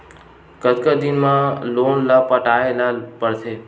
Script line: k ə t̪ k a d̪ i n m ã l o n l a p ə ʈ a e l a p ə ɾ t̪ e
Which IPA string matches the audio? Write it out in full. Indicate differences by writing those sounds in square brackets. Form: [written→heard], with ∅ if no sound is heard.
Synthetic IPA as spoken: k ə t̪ k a d̪ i n m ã l o n l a p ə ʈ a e l a p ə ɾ [t̪→t̪ʰ] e